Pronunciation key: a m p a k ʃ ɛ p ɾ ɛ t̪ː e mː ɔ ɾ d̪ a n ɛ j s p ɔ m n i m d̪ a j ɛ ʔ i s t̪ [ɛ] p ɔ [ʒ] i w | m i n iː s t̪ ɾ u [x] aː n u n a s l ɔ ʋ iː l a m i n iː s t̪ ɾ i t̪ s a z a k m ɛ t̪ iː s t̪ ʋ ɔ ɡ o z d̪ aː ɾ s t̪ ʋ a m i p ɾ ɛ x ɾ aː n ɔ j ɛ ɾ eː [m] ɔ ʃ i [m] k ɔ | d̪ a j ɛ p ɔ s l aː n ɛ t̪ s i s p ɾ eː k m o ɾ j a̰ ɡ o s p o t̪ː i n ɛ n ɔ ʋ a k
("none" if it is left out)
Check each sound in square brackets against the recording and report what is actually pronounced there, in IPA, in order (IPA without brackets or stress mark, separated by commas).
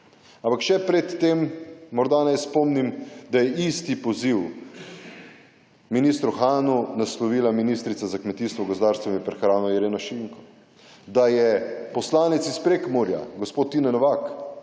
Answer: i, z, x, n, ŋ